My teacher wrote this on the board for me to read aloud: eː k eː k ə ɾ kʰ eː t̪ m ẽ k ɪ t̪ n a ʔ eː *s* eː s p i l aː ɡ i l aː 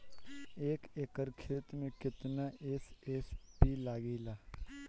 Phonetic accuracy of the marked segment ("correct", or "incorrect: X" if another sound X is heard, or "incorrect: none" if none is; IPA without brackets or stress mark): correct